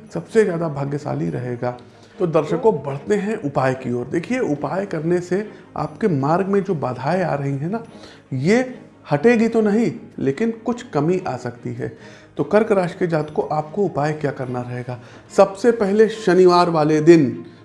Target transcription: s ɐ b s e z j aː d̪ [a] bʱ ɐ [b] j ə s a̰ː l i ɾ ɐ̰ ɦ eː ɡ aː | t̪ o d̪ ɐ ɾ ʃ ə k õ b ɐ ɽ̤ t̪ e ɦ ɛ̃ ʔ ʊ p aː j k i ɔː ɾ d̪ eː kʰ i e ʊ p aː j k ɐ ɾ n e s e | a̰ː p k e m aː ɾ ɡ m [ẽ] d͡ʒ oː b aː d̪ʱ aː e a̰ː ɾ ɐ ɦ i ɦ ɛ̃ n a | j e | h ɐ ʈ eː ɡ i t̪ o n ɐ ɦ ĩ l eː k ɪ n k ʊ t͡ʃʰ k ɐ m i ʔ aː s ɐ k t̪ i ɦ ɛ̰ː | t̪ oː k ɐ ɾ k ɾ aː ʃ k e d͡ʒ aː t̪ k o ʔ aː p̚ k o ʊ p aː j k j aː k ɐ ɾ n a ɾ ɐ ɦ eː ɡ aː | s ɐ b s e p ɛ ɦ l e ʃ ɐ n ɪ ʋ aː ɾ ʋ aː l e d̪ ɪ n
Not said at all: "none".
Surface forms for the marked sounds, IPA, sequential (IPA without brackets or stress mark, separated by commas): a, ɡ, ẽ